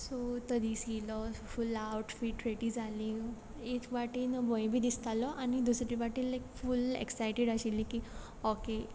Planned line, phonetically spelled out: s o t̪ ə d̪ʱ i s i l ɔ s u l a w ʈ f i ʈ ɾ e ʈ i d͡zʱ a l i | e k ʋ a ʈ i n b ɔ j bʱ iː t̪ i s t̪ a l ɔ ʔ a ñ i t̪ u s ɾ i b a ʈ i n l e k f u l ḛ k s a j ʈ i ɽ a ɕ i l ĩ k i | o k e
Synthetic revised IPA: s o t̪ ə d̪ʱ i s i l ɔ f u l a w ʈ f i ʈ ɾ e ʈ i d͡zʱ a l i | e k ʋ a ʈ i n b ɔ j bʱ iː d̪ i s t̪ a l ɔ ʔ a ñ i d̪ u s ɾ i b a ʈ i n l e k f u l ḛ k s a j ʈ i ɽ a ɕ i l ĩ k i | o k e

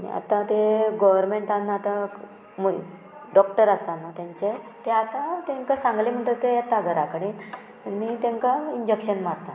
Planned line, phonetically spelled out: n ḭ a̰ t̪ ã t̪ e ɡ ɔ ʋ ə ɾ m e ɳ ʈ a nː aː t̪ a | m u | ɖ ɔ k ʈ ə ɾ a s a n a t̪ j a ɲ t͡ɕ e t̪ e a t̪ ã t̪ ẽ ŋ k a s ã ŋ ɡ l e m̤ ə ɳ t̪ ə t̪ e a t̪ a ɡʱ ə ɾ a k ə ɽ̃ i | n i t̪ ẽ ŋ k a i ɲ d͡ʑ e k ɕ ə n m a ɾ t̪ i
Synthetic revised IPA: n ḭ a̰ t̪ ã t̪ e ɡ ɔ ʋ ə ɾ m e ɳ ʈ a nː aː t̪ a | m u | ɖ ɔ k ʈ ə ɾ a s a n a t̪ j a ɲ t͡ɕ e t̪ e a t̪ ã t̪ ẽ ŋ k a s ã ŋ ɡ l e m̤ ə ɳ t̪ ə t̪ e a t̪ a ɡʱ ə ɾ a k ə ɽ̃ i | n i t̪ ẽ ŋ k a i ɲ d͡ʑ e k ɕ ə n m a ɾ t̪ a

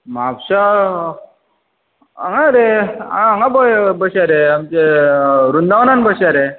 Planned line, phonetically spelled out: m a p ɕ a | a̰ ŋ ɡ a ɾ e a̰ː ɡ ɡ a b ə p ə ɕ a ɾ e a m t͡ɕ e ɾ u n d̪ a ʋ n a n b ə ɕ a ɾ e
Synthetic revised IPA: m a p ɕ a | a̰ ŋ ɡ a ɾ e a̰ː ŋ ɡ a b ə b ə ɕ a ɾ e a m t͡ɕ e ɾ u n d̪ a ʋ n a n b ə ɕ a ɾ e

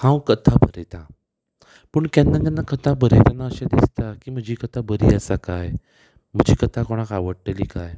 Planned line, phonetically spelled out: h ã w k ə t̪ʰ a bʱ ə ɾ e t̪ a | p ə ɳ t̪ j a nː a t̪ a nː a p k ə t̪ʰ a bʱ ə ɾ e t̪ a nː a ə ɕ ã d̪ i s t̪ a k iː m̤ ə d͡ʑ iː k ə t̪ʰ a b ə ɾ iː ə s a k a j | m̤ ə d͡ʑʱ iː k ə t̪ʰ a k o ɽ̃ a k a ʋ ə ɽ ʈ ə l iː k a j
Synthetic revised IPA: h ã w k ə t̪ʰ a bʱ ə ɾ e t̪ a | p ə ɳ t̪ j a nː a t̪ a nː a k ə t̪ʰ a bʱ ə ɾ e t̪ a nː a ə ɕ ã d̪ i s t̪ a k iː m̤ ə d͡ʑ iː k ə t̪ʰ a b ə ɾ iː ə s a k a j | m̤ ə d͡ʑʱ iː k ə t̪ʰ a k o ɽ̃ a k a ʋ ə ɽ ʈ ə l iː k a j

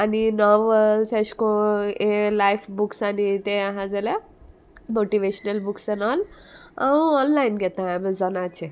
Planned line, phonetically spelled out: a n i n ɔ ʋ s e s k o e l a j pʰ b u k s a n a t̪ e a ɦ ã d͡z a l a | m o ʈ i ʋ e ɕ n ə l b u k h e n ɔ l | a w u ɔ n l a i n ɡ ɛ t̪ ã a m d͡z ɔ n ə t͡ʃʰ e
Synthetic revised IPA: a n i n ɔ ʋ s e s k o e l a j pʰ b u k s a n i t̪ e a ɦ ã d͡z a l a | m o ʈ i ʋ e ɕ n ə l b u k s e n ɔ l | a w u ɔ n l a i n ɡ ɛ t̪ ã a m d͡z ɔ n a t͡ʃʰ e

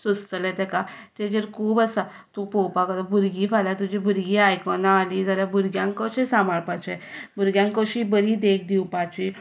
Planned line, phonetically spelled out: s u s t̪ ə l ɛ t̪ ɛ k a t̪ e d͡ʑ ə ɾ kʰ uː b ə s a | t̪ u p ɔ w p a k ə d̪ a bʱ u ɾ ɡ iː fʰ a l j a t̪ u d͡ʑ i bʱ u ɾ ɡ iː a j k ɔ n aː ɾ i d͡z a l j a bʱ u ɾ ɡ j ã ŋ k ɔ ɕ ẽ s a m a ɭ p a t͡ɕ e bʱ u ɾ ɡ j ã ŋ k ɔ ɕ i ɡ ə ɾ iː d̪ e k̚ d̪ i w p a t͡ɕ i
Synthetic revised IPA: s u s t̪ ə l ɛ t̪ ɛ k a t̪ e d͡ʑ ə ɾ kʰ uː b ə s a | t̪ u p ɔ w p a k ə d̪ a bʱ u ɾ ɡ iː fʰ a l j a t̪ u d͡ʑ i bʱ u ɾ ɡ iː a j k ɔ n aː l i d͡z a l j a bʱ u ɾ ɡ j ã ŋ k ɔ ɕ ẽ s a m a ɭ p a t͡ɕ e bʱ u ɾ ɡ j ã ŋ k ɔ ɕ i b ə ɾ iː d̪ e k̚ d̪ i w p a t͡ɕ i

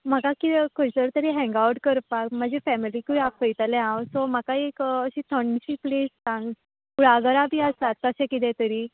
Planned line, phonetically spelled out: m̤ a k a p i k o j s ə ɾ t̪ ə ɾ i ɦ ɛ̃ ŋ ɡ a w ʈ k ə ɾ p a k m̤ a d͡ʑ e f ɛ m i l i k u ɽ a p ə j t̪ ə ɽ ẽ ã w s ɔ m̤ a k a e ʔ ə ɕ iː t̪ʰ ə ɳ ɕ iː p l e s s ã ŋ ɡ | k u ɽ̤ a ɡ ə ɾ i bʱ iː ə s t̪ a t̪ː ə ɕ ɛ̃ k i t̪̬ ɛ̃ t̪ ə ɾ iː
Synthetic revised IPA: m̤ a k a k i k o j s ə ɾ t̪ ə ɾ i ɦ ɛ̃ ŋ ɡ a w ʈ k ə ɾ p a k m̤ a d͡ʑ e f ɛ m i l i k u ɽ a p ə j t̪ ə l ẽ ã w s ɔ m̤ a k a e k ə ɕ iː t̪ʰ ə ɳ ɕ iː p l e s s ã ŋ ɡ | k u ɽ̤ a ɡ ə ɾ a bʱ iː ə s t̪ a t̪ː ə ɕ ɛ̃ k i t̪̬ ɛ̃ t̪ ə ɾ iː

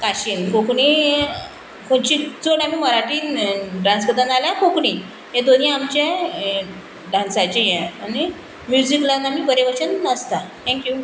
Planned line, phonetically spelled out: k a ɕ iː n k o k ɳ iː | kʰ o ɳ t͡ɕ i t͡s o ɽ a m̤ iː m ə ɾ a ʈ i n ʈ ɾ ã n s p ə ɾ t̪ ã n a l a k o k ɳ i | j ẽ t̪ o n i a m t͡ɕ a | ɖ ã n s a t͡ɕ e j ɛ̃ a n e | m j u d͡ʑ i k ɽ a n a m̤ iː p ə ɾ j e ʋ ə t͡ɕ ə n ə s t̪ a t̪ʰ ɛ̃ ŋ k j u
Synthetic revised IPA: k a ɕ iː n k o k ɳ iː | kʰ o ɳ t͡ɕ i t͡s o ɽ a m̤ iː m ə ɾ a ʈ i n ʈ ɾ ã n s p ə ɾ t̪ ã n a l a k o k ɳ i | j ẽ d̪ o n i a m t͡ɕ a | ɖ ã n s a t͡ɕ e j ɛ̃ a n i | m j u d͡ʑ i k l a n a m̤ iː p ə ɾ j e ʋ ə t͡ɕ ə n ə s t̪ a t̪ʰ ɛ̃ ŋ k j u

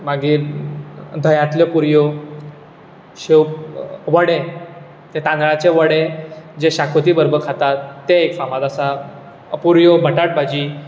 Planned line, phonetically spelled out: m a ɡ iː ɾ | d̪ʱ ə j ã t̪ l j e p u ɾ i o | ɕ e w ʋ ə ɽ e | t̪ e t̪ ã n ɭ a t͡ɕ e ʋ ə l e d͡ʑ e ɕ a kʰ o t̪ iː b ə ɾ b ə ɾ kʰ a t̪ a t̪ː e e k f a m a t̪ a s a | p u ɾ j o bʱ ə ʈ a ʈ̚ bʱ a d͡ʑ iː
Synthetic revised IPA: m a ɡ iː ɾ | d̪ʱ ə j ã t̪ l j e p u ɾ j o | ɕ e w ʋ ə ɽ e | t̪ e t̪ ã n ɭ a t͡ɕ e ʋ ə ɽ e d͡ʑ e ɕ a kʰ o t̪ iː b ə ɾ b ə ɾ kʰ a t̪ a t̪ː e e k f a m a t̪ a s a | p u ɾ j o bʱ ə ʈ a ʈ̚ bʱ a d͡ʑ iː

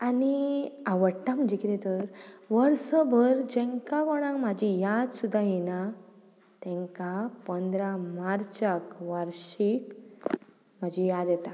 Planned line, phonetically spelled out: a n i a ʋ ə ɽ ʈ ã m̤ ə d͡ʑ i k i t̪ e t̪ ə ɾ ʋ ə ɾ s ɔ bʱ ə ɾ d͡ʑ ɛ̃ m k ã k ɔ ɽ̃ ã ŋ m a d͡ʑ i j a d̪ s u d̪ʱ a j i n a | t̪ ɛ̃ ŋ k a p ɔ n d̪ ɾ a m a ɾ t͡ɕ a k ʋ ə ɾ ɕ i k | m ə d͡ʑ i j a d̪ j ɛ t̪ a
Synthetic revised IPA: a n i a ʋ ə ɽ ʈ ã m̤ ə d͡ʑ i k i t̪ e t̪ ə ɾ ʋ ə ɾ s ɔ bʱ ə ɾ d͡ʑ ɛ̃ ŋ k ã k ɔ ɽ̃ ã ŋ m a d͡ʑ i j a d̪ s u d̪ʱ a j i n a | t̪ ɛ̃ ŋ k a p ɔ n d̪ ɾ a m a ɾ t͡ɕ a k ʋ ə ɾ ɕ i k | m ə d͡ʑ i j a d̪ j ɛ t̪ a

